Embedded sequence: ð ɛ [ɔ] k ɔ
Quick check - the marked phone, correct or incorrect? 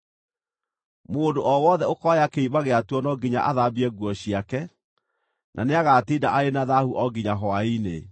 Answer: incorrect